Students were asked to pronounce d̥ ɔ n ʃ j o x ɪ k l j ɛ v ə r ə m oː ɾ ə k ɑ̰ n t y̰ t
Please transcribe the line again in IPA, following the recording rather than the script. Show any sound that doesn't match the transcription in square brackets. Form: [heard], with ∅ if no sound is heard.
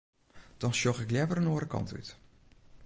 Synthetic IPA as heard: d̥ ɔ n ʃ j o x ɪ k l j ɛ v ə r ə [n] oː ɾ ə k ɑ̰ n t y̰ t